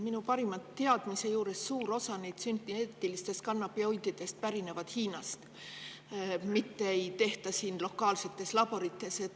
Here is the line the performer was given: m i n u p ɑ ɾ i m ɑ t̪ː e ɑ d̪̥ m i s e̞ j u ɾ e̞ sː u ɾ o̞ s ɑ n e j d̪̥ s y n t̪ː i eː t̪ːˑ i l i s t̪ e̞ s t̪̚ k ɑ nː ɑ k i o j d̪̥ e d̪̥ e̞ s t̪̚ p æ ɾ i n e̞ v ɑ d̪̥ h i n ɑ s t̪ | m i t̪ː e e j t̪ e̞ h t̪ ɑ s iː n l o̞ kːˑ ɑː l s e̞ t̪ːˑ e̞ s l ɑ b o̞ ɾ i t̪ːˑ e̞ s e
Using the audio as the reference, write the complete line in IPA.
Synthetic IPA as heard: m i n u p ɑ ɾ i m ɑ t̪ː e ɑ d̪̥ m i s e̞ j uː ɾ e̞ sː uː ɾ o̞ s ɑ n e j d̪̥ s y n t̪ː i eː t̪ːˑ i l i s t̪ e̞ s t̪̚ k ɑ nː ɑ p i o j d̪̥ i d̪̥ e̞ s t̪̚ p æ ɾ i n e̞ v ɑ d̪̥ h iː n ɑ s t̪ | m i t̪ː e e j t̪ e̞ h t̪ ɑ s iː n l o̞ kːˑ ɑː l s e̞ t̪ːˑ e̞ s l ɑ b o̞ ɾ i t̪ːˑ e̞ s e

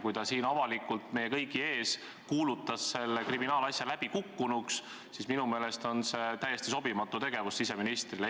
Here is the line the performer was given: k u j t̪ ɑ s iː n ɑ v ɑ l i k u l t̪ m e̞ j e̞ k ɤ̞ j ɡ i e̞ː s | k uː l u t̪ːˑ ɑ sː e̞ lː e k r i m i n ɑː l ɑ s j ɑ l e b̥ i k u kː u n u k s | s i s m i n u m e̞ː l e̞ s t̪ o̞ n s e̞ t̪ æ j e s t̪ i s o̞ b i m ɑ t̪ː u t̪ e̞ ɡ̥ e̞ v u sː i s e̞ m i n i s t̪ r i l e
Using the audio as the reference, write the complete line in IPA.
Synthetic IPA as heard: k u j t̪ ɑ s iː n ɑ v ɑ l i k u l t̪ m e̞ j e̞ k ɤ̞ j ɡ i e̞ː s | k uː l u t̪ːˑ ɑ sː e̞ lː e k r i m i n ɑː l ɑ s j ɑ l æ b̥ i k u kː u n u k s | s i s m i n u m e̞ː l e̞ s t̪ o̞ n s e̞ t̪ æ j e s t̪ i s o̞ b i m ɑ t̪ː u t̪ e̞ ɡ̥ e̞ v u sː i s e̞ m i n i s t̪ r i l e

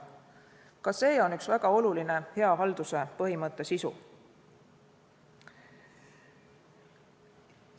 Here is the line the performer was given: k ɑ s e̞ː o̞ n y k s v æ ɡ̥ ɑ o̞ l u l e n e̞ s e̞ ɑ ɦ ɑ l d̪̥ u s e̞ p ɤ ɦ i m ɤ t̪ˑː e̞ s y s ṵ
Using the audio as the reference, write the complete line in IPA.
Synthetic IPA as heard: k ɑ s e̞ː o̞ n y k s v æ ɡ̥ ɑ o̞ l u l i n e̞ h e̞ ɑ ɦ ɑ l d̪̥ u s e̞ p ɤ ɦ i m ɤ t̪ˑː e̞ s i s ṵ

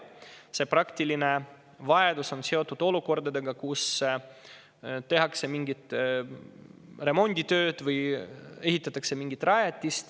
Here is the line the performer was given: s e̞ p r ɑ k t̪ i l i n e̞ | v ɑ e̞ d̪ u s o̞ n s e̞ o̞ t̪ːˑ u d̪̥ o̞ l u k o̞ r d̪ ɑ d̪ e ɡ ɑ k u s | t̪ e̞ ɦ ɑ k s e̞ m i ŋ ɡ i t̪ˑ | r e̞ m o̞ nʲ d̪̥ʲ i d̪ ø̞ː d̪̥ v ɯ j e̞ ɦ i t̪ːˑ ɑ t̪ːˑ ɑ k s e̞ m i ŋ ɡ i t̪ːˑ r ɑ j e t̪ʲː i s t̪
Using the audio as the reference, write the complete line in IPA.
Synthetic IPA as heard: s e̞ p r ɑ k t̪ i l i n e̞ | v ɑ e̞ d̪ u s o̞ n s e̞ o̞ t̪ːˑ u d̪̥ o̞ l u k o̞ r d̪ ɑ d̪ e ɡ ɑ k u s | t̪ e̞ ɦ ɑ k s e̞ m i ŋ ɡ i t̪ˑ | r e̞ m o̞ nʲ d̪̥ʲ i t̪ ø̞ː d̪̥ v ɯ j e̞ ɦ i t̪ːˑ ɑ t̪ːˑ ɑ k s e̞ m i ŋ ɡ i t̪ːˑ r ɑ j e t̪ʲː i s t̪

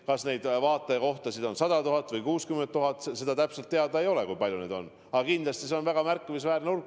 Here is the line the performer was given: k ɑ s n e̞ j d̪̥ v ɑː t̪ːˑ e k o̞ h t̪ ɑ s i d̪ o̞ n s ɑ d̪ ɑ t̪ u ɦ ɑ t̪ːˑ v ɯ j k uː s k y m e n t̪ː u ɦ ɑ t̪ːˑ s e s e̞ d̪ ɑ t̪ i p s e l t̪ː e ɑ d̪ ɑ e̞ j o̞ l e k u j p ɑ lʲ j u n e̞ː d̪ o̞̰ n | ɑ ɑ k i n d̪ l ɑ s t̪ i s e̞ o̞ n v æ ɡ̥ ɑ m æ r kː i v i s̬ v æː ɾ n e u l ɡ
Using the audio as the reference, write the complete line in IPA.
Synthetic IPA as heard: k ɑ s n e̞ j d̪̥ v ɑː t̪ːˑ e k o̞ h t̪ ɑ s i d̪ o̞ n s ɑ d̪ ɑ t̪ u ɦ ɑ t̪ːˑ v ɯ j k uː s k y m e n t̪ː u ɦ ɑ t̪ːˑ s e s e̞ d̪ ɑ t̪ æ p s e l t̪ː e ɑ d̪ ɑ e̞ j o̞ l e k u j p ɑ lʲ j u n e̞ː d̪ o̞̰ n | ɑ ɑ k i n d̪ l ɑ s t̪ i s e̞ o̞ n v æ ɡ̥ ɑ m æ r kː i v i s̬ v æː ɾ n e u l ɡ

